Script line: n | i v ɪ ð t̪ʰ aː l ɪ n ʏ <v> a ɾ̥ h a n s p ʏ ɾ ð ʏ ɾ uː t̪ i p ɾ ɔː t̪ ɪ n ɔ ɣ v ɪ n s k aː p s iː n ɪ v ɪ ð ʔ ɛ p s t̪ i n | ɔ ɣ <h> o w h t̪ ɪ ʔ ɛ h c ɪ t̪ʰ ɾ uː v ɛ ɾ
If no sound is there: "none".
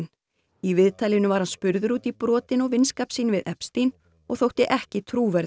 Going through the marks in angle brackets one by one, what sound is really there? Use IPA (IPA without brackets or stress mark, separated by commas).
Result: v, θ